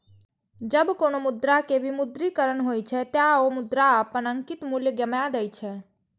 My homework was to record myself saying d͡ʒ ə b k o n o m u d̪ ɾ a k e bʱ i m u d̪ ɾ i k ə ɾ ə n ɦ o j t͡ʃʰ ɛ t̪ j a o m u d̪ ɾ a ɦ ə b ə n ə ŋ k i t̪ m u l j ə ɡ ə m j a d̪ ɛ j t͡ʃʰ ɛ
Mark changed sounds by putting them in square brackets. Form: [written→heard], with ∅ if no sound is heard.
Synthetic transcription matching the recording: d͡ʒ ə b k o n o m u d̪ ɾ a k e bʱ i m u d̪ ɾ i k ə ɾ ə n ɦ o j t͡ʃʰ ɛ t̪ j a o m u d̪ ɾ a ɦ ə [b→p] ə n ə ŋ k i t̪ m u l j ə ɡ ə m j a d̪ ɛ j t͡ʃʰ ɛ